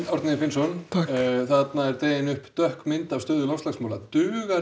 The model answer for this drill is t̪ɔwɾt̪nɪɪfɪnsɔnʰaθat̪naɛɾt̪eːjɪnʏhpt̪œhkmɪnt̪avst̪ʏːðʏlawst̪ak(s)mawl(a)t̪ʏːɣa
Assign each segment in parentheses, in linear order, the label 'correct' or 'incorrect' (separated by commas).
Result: correct, correct